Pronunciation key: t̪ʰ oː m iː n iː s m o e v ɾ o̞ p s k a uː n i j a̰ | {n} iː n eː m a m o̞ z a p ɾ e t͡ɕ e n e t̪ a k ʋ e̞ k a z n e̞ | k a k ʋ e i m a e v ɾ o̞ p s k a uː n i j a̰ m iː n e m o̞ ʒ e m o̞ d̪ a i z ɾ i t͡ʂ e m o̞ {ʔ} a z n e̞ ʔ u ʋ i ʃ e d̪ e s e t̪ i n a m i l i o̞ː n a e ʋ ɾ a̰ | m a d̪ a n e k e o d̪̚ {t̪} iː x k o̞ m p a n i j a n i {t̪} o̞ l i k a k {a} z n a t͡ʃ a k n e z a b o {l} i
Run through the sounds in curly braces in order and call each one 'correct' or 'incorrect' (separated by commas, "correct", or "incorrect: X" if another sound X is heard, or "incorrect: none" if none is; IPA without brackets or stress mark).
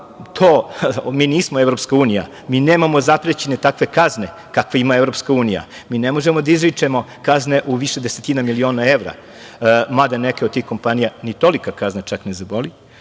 incorrect: m, incorrect: k, correct, correct, correct, correct